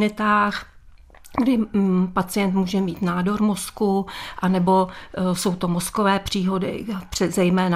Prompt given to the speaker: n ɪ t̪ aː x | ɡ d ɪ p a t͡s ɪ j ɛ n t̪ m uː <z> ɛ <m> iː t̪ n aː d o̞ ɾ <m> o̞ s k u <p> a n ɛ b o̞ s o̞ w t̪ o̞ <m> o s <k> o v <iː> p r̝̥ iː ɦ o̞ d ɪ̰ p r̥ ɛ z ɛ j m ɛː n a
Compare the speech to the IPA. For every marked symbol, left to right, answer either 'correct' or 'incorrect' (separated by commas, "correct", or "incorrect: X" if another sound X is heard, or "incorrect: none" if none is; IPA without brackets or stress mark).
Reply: incorrect: ʒ, correct, correct, incorrect: ʔ, correct, correct, incorrect: ɛː